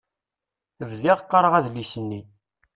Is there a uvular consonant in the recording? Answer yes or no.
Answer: yes